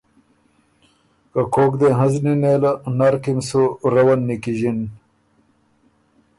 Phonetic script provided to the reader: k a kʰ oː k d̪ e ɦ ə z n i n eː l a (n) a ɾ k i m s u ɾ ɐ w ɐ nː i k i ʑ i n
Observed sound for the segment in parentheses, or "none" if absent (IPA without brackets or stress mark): n